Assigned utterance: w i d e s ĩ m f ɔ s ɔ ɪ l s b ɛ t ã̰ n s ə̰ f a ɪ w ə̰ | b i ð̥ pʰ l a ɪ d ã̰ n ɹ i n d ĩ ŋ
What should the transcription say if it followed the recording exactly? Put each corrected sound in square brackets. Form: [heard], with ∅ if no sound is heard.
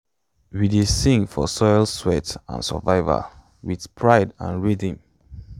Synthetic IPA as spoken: w i d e s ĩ [ŋ] f ɔ s ɔ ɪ l s [w] ɛ t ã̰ n s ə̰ [v] a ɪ [v] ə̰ | [w] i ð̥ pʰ [ɹ] a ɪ d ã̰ n ɹ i [∅] d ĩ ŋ